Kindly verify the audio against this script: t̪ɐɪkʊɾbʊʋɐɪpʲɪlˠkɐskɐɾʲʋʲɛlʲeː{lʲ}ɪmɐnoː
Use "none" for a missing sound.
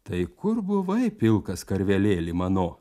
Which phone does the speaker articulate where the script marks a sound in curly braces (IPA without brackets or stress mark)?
lʲ